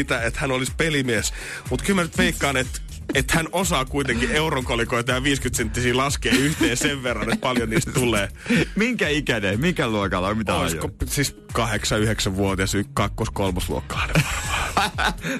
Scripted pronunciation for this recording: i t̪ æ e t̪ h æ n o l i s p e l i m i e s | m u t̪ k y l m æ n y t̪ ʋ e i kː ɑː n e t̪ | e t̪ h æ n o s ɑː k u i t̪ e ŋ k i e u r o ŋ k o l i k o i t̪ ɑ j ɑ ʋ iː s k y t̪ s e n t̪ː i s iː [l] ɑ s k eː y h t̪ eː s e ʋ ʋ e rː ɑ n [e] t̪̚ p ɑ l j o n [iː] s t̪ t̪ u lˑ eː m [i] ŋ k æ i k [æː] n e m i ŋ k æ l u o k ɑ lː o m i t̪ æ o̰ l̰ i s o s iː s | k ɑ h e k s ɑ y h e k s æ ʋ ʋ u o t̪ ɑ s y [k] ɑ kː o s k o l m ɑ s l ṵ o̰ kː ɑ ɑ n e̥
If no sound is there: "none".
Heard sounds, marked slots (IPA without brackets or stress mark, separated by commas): l, e, iː, i, æ, k